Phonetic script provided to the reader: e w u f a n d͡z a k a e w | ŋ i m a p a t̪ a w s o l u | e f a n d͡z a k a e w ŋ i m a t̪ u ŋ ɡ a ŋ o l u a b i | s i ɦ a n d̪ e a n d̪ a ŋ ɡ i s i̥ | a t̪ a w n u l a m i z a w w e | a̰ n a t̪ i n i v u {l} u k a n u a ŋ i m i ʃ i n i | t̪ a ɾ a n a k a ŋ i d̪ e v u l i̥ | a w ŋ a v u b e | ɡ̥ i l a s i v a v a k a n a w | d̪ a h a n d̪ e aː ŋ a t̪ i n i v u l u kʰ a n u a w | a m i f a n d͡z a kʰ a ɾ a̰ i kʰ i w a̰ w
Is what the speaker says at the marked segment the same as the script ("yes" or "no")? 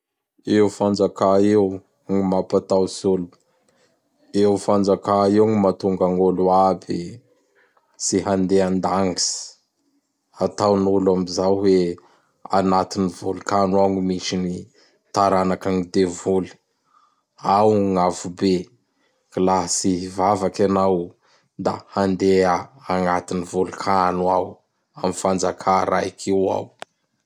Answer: yes